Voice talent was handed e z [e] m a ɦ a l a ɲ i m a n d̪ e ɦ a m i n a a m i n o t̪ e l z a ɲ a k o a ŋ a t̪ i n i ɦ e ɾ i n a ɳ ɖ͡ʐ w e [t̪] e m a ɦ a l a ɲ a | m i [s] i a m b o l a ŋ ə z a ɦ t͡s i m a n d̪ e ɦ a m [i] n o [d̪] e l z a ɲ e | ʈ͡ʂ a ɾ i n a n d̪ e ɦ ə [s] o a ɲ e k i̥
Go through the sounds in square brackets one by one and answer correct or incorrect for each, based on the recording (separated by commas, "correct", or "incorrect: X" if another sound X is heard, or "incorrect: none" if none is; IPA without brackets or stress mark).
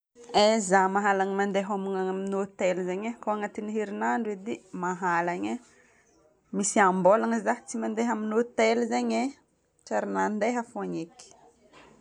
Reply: incorrect: a, incorrect: d̪, correct, correct, incorrect: t̪, incorrect: f